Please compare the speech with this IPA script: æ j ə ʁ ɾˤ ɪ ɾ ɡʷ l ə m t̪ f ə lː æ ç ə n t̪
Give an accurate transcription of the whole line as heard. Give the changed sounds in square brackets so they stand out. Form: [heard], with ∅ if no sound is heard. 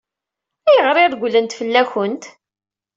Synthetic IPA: æ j ə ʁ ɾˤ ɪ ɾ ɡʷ l ə [n] t̪ f ə lː æ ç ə n t̪